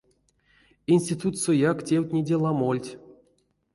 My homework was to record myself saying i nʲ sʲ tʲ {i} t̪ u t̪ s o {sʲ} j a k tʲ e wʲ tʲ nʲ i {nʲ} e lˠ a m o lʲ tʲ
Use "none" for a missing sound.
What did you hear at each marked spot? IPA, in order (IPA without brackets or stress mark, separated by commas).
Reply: i, none, dʲ